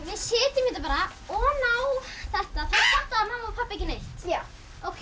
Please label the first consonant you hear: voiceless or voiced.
voiced